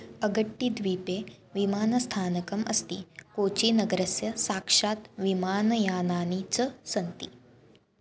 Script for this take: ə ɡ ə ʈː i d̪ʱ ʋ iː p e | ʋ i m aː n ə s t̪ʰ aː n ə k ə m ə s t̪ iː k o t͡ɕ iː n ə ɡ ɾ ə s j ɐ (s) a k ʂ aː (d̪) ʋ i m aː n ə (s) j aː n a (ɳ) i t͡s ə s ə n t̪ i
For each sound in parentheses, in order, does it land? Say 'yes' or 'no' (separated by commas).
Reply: yes, no, no, no